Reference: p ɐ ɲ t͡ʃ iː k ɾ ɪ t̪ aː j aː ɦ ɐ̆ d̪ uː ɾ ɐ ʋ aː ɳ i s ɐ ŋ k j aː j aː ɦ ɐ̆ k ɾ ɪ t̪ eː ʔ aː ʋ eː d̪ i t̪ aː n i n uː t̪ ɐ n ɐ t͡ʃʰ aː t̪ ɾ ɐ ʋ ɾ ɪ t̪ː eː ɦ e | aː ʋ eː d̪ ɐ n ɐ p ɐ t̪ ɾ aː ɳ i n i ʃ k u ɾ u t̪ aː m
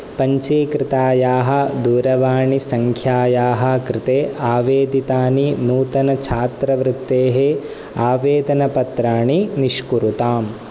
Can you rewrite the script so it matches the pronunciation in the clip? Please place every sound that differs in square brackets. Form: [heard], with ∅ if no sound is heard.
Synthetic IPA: p ɐ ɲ t͡ʃ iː k ɾ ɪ t̪ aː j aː ɦ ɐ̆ d̪ uː ɾ ɐ ʋ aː ɳ i s ɐ ŋ [kʰ] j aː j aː ɦ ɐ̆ k ɾ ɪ t̪ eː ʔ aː ʋ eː d̪ i t̪ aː n i n uː t̪ ɐ n ɐ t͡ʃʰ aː t̪ ɾ ɐ ʋ ɾ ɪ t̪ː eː ɦ e | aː ʋ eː d̪ ɐ n ɐ p ɐ t̪ ɾ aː ɳ i n i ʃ k u ɾ u t̪ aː m

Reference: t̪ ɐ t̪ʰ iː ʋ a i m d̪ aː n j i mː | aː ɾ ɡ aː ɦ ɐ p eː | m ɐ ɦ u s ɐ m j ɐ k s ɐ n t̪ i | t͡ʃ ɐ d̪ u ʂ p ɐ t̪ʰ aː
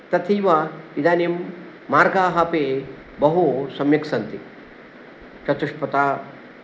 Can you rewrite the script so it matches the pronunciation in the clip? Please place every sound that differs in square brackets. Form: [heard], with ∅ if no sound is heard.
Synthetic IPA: t̪ ɐ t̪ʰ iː ʋ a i [∅] d̪ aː n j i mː | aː ɾ ɡ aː ɦ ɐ p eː | [b] ɐ ɦ u s ɐ m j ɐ k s ɐ n t̪ i | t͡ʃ ɐ [t̪] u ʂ p ɐ [t̪] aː

